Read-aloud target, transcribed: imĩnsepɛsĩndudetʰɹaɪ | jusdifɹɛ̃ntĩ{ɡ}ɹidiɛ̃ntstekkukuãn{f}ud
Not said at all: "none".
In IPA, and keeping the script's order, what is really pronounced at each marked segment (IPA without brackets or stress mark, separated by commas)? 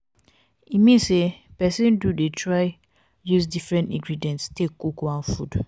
ɡ, f